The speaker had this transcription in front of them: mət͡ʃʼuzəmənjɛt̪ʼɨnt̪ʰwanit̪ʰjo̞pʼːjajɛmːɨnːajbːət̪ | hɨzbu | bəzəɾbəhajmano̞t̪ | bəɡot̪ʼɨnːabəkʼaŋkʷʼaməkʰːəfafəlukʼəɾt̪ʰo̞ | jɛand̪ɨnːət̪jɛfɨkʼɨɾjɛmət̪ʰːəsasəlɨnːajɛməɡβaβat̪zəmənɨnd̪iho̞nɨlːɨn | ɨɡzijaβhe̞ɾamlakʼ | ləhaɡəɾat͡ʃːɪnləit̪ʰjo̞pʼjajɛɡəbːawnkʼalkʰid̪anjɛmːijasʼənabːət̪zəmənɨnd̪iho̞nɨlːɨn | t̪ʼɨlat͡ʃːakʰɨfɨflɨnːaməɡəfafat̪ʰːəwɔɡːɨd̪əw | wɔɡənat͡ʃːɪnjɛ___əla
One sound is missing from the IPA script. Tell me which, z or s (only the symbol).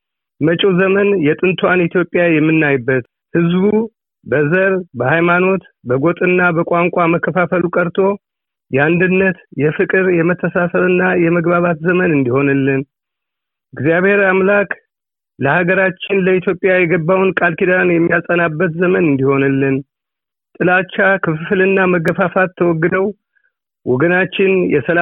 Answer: s